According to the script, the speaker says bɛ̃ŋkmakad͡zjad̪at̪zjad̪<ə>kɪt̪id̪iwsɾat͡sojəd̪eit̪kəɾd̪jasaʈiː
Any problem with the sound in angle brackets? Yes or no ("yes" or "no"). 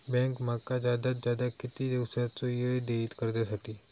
yes